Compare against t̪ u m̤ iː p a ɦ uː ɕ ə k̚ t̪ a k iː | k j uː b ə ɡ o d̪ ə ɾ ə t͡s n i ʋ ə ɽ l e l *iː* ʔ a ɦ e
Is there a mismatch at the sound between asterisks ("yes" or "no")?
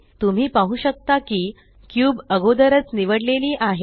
no